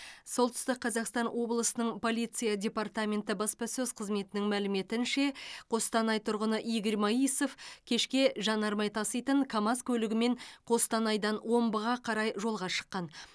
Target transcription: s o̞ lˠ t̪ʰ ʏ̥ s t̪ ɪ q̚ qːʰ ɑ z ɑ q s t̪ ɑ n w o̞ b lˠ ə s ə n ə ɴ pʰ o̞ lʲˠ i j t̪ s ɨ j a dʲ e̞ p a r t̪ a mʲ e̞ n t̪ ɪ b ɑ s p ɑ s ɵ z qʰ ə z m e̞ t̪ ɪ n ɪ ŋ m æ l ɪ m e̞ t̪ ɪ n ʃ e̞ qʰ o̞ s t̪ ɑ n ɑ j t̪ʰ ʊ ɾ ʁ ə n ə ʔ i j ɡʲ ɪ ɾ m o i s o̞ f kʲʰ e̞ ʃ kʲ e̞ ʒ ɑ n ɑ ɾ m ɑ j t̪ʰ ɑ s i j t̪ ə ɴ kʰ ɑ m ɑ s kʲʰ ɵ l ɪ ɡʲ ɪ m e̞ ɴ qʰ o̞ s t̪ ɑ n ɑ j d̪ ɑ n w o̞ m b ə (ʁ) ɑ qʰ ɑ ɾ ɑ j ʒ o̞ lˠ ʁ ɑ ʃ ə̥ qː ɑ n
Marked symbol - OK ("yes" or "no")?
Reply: yes